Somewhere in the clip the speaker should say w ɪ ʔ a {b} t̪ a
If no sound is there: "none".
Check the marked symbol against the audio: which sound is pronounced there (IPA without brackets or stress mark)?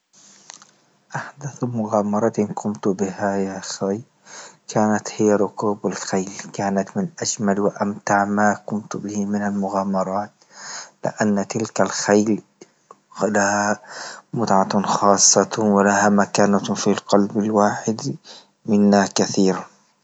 m